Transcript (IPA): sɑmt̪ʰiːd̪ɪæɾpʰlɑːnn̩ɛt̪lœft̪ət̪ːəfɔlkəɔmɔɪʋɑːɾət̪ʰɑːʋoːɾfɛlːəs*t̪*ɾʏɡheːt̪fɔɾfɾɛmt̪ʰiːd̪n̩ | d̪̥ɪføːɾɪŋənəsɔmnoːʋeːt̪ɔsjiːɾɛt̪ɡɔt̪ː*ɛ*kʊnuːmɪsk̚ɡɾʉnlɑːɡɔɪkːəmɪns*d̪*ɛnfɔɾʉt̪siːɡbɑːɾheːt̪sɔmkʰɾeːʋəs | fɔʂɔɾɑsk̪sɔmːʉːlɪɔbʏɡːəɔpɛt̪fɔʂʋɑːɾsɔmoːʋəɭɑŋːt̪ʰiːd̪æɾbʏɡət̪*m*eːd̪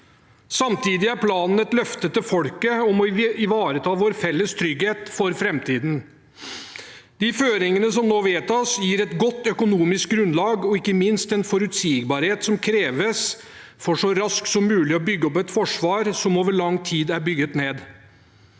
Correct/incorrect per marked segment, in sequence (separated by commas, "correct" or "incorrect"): incorrect, incorrect, incorrect, incorrect